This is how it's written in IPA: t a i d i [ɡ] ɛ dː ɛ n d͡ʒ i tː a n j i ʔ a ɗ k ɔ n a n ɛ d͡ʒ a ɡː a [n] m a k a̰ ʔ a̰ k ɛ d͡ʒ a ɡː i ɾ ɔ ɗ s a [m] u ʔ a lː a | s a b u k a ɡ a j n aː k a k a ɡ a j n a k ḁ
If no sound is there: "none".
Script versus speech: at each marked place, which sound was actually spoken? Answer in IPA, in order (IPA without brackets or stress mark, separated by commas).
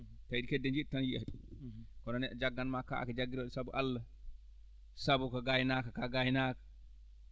k, n, b